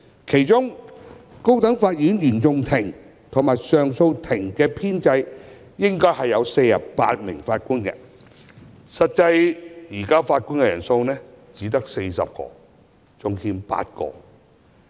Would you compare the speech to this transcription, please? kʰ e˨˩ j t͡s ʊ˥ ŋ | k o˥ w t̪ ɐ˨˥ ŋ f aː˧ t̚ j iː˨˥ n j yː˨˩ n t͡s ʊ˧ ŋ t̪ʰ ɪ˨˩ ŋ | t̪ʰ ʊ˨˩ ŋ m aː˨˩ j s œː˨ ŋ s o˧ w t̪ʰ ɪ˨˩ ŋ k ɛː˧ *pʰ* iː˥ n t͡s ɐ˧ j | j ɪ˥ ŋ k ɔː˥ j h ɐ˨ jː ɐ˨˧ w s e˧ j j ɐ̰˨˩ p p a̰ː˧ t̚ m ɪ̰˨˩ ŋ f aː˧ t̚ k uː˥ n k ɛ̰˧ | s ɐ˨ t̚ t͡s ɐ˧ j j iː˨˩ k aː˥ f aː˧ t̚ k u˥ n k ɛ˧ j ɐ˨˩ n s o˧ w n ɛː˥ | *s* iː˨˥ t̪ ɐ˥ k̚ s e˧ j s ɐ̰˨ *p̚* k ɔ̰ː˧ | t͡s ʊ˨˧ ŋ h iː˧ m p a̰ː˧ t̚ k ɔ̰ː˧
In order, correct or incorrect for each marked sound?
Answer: correct, incorrect: t͡s, correct

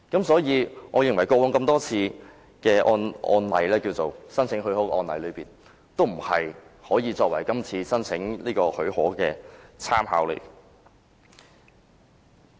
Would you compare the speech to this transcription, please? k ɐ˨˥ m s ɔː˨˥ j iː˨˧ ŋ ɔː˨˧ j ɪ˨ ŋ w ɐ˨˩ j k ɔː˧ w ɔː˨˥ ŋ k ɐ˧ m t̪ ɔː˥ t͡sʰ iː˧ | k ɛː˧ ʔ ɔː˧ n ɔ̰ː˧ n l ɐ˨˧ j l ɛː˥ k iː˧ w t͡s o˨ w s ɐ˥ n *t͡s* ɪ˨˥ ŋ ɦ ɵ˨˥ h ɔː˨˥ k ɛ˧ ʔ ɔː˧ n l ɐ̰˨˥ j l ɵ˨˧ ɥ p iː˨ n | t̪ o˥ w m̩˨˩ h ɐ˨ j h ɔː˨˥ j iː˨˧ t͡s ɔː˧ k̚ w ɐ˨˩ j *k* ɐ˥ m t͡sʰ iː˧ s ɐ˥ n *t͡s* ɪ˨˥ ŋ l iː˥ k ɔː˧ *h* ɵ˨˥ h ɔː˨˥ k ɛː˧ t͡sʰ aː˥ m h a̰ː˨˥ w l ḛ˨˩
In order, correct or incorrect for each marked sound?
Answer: incorrect: t͡sʰ, correct, incorrect: t͡sʰ, correct

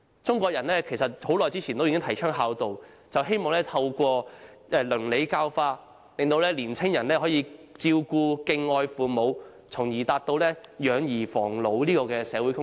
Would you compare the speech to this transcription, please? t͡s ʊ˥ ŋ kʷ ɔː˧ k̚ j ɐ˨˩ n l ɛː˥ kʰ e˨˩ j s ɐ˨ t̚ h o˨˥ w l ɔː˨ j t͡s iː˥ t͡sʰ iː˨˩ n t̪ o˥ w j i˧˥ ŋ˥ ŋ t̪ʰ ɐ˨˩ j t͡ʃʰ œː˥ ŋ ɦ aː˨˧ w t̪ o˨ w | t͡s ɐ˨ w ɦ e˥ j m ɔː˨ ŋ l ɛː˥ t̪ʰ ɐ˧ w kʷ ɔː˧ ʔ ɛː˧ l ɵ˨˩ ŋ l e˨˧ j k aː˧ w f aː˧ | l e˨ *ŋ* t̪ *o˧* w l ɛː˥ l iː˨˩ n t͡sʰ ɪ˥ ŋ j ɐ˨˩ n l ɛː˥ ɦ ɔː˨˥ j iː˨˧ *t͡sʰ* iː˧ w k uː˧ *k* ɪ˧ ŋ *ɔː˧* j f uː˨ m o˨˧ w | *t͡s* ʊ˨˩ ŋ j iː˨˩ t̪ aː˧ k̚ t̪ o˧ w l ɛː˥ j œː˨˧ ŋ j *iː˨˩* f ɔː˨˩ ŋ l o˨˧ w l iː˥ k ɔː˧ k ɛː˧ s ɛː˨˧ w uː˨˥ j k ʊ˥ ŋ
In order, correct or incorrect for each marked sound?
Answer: correct, correct, incorrect: t͡s, correct, correct, incorrect: t͡sʰ, correct

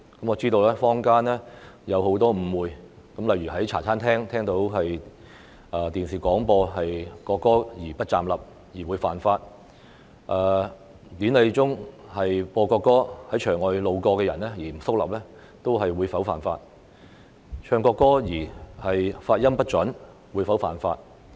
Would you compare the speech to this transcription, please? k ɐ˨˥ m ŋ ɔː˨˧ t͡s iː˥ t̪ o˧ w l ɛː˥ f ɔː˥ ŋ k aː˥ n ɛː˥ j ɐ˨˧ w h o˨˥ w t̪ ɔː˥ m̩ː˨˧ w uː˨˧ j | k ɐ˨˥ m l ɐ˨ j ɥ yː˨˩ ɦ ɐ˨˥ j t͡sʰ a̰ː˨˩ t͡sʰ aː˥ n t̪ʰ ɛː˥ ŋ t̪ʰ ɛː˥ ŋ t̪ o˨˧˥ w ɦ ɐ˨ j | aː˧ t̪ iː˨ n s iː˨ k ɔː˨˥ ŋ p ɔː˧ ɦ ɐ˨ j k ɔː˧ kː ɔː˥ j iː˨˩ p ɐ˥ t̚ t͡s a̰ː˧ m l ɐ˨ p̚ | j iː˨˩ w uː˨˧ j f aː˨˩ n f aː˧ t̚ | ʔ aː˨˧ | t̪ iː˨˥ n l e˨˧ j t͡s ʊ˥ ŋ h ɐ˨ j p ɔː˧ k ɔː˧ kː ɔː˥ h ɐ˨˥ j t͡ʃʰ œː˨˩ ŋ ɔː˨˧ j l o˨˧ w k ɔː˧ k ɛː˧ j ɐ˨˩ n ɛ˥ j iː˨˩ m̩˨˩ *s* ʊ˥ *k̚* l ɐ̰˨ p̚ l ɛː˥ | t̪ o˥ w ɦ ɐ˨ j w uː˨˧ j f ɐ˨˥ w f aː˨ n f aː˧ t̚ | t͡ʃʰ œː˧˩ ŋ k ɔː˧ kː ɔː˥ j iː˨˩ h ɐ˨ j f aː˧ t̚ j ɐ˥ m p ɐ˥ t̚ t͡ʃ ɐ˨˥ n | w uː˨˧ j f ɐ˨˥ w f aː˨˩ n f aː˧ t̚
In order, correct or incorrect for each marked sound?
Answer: correct, correct

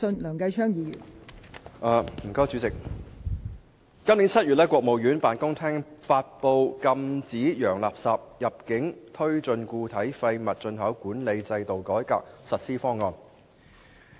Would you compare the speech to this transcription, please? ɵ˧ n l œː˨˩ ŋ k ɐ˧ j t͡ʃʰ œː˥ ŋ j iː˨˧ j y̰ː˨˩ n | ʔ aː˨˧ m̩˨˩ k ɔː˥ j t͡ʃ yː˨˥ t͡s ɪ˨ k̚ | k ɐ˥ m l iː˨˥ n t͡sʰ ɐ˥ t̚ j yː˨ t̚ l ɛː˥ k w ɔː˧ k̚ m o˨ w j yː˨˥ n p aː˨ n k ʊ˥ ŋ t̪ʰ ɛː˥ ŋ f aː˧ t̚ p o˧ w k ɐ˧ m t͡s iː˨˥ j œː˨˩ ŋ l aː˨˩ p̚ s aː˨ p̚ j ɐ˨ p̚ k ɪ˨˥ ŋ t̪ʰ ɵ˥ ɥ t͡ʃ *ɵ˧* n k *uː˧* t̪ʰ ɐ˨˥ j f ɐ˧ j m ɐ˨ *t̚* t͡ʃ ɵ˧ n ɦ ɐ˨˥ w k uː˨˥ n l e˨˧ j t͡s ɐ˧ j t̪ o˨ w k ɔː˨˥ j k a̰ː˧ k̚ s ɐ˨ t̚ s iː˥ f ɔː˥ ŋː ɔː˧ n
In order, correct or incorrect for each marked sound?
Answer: correct, correct, correct

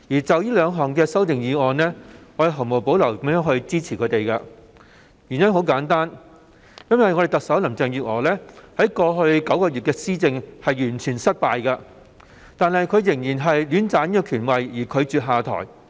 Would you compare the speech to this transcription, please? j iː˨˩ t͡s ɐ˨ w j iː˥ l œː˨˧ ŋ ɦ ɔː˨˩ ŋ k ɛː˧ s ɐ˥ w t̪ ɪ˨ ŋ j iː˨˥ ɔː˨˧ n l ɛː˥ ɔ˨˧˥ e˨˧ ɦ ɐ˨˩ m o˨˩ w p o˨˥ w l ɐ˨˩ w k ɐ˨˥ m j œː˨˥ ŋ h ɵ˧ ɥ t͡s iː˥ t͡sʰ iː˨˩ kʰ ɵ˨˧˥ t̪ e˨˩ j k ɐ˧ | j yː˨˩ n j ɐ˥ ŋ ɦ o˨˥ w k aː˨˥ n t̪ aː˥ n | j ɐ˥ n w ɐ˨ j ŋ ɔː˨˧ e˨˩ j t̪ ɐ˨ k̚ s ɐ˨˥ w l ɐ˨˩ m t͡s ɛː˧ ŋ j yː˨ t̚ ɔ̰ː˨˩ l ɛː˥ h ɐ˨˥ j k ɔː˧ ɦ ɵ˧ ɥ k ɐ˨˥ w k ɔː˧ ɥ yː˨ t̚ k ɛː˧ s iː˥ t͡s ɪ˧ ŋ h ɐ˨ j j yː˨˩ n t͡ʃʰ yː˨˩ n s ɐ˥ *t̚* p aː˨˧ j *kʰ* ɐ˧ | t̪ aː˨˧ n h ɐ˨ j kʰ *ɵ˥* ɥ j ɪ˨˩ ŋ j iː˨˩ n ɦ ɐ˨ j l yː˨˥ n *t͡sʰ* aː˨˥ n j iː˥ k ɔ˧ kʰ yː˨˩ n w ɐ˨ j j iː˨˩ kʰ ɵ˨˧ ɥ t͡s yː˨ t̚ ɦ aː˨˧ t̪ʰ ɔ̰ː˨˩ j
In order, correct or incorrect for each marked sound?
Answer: correct, incorrect: k, incorrect: ɵ˨˧, incorrect: t͡s

